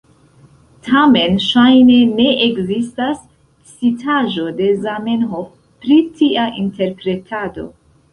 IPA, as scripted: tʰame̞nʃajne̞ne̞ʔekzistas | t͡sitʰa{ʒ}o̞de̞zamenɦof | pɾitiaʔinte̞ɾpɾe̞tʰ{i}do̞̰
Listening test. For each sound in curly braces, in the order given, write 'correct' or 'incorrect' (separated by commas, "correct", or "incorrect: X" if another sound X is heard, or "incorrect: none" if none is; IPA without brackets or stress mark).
correct, incorrect: a